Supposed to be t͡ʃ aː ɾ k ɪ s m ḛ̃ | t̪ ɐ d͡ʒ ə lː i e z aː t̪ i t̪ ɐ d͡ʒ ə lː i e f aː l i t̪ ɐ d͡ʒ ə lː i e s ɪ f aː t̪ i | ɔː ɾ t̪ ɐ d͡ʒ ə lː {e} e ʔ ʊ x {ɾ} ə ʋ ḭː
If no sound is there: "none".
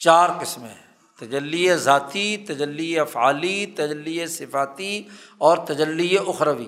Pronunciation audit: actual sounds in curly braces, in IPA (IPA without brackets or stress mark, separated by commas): i, ɾ